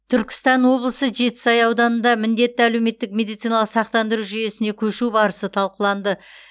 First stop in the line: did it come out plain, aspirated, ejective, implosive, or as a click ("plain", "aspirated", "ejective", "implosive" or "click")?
aspirated